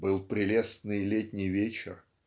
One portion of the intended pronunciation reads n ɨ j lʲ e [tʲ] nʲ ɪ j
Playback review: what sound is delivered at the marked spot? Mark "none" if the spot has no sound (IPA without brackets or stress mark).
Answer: tʲ